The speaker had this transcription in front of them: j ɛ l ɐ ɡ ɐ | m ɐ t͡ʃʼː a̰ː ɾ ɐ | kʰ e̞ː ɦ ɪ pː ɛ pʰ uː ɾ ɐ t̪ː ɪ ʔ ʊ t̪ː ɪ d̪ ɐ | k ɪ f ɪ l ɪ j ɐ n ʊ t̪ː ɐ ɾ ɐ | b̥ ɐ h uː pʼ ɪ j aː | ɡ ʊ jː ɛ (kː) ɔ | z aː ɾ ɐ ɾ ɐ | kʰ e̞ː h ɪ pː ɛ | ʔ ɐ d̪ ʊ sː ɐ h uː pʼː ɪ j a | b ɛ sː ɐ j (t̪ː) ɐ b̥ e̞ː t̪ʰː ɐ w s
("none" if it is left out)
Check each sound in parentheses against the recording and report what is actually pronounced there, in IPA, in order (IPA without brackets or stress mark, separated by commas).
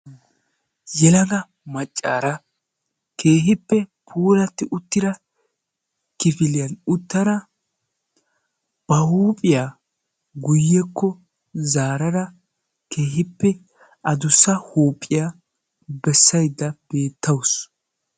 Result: kː, d̪ː